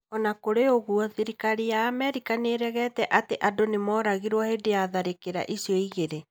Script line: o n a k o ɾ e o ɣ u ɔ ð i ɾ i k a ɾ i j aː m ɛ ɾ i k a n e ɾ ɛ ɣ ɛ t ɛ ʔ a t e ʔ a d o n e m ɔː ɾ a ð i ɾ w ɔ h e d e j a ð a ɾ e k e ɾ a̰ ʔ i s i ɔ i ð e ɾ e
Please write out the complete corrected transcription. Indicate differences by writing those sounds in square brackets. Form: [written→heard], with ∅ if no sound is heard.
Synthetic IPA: [o→ɔ] n a k o ɾ e o ɣ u ɔ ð i ɾ i k a ɾ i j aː m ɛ ɾ i k a n e ɾ ɛ ɣ ɛ t ɛ ʔ a t e ʔ a d o n e m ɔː ɾ a [ð→ɣ] i ɾ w ɔ h e d e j a ð a ɾ e k e ɾ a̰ ʔ i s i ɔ i [ð→ɣ] e ɾ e